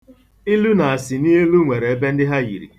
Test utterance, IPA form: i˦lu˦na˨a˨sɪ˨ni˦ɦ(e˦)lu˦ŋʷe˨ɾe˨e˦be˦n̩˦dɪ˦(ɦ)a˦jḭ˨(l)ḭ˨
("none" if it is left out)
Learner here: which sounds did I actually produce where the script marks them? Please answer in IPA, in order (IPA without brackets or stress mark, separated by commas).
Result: e˦, ɦ, ɾ